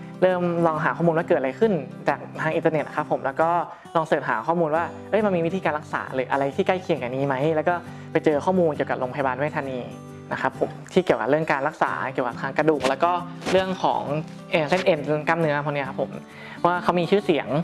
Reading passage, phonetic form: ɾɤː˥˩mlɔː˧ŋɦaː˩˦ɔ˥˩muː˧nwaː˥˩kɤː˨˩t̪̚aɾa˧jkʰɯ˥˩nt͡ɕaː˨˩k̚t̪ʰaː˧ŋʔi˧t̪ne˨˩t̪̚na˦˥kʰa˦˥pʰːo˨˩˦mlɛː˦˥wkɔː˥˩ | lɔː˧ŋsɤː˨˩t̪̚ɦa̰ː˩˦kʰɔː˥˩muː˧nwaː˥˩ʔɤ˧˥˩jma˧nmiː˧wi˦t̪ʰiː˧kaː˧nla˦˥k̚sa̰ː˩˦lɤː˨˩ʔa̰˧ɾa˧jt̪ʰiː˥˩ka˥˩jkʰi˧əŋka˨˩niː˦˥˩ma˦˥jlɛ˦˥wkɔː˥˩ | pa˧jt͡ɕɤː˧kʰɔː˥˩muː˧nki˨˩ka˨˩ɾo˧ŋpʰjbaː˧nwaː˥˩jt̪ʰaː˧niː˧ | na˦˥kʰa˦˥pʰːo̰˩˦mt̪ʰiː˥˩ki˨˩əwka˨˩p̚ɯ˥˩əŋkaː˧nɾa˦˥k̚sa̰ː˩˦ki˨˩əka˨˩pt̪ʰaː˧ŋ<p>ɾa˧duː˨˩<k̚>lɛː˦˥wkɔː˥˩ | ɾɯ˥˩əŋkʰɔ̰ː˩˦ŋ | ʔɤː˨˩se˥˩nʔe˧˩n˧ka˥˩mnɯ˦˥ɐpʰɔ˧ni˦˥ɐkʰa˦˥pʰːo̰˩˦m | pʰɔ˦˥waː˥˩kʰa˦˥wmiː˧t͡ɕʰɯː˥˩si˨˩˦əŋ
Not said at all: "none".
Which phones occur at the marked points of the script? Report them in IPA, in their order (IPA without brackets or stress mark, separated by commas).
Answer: k, k̚